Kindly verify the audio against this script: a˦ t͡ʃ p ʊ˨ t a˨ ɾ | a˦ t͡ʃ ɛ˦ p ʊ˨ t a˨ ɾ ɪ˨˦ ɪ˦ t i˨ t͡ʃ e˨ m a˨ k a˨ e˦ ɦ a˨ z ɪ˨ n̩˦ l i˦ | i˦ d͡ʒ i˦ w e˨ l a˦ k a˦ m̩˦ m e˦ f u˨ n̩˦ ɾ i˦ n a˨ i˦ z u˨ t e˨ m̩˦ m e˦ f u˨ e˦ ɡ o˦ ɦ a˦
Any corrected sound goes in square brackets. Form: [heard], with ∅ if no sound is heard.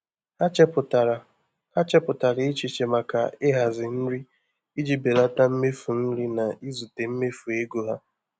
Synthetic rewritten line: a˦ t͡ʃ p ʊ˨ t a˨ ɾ | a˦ t͡ʃ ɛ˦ p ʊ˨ t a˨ ɾ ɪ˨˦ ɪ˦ [t͡ʃ] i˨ t͡ʃ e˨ m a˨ k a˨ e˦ ɦ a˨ z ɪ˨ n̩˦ [ɾ] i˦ | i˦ d͡ʒ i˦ [b] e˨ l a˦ [t] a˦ m̩˦ m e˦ f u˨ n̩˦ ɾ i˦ n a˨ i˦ z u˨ t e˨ m̩˦ m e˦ f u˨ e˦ ɡ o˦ ɦ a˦